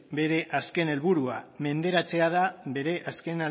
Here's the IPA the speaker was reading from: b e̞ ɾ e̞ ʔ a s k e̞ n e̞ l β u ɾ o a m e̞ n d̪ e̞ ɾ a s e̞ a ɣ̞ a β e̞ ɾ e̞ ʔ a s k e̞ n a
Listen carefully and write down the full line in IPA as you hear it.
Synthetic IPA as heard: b e̞ ɾ e̞ ʔ a s k e̞ n e̞ l β u ɾ u a m e̞ n d̪ e̞ ɾ a t͡s e̞ a ð̞ a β e̞ ɾ e̞ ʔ a s k e̞ n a